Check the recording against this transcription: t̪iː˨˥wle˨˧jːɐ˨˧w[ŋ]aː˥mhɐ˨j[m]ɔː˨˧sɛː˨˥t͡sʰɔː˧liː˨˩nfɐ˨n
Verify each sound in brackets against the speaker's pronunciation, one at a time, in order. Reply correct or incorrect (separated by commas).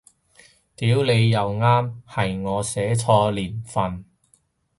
correct, incorrect